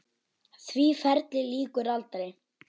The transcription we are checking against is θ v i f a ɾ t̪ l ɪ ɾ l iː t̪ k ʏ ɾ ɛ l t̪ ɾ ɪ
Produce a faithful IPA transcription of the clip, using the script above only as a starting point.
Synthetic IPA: θ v i f ɛ ɾ t̪ l ɪ l iː k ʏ ɾ a l t̪ ɾ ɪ